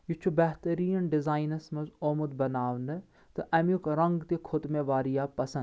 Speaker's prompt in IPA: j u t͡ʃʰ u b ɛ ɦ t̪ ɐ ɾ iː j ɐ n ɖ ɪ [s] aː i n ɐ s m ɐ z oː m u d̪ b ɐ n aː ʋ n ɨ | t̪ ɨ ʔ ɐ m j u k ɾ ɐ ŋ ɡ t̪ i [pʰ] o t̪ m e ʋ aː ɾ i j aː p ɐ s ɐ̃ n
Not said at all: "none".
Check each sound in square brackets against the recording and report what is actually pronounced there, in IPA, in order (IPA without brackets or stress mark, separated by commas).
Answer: z, kʰ